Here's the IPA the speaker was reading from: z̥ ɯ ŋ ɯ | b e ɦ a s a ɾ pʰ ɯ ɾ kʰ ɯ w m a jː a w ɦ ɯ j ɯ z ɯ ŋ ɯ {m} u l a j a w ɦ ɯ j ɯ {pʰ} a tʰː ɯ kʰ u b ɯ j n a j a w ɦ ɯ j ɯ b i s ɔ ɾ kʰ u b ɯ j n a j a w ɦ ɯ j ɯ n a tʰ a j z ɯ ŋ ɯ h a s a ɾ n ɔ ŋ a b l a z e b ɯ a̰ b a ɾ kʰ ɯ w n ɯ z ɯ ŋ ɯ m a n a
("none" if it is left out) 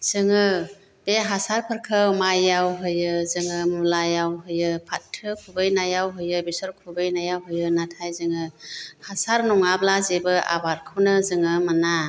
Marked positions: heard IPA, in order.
m, pʰ

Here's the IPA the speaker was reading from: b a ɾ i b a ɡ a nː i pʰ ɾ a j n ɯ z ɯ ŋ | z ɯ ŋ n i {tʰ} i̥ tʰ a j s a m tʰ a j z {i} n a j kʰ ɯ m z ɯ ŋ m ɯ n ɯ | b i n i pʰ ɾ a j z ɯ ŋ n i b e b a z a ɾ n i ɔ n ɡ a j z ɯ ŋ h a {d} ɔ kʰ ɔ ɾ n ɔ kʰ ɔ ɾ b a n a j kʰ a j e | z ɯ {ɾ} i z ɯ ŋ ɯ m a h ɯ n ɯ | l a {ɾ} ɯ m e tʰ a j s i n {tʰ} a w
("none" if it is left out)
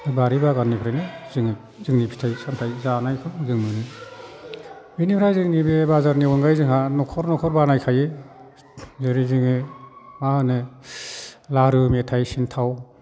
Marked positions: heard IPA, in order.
pʰ, a, n, ɾ, ɾ, tʰ

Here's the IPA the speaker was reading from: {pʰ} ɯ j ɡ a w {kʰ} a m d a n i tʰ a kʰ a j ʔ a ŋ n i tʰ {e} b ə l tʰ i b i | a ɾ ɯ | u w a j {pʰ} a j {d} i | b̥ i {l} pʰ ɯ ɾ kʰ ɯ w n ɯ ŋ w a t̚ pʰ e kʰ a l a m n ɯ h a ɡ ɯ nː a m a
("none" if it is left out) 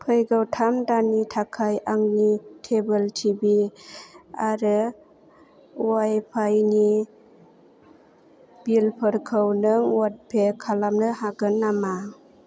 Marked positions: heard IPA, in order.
pʰ, tʰ, e, pʰ, n, l

